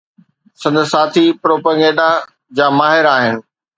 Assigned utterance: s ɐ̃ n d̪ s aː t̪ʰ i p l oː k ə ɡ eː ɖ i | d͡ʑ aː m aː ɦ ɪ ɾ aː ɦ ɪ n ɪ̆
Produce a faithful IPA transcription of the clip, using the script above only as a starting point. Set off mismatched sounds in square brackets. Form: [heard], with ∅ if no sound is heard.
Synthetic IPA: s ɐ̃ n d̪ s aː t̪ʰ i p [ɾ] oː [p] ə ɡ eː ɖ [a] | d͡ʑ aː m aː ɦ ɪ ɾ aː ɦ ɪ n ɪ̆

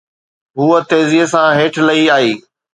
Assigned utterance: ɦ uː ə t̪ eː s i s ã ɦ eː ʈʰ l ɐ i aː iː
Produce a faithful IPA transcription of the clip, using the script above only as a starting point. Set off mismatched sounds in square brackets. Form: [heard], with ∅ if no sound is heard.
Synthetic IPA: ɦ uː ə t̪ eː [z] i s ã ɦ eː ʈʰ l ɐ i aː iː

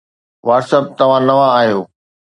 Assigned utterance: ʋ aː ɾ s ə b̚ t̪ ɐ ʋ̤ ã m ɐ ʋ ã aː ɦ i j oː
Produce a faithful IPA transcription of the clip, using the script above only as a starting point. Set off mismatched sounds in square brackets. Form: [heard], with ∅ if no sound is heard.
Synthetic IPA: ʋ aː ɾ s ə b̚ t̪ ɐ ʋ̤ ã [n] ɐ ʋ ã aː ɦ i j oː

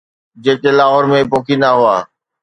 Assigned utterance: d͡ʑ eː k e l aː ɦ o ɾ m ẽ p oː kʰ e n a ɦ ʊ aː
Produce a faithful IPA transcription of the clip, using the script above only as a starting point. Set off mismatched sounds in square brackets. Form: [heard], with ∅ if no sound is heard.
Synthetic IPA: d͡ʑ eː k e l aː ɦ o ɾ m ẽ p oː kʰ [i] n a ɦ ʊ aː

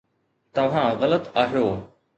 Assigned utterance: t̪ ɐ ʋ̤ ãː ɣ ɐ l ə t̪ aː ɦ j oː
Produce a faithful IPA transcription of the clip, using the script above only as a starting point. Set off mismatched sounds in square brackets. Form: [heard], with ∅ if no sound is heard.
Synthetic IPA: t̪ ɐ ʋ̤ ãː ɣ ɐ l ə t̪ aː ɦ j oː

